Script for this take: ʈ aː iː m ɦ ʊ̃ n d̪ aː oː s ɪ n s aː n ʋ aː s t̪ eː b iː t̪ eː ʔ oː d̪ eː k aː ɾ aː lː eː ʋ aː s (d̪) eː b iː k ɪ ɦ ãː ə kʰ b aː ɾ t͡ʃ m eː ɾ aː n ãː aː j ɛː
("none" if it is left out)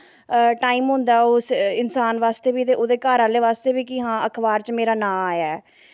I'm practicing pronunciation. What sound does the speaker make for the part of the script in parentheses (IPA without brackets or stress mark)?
t̪